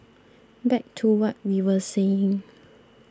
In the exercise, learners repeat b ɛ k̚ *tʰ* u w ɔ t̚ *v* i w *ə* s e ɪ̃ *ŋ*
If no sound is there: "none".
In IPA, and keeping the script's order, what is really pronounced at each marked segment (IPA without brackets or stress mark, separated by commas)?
tʰ, w, ə, ŋ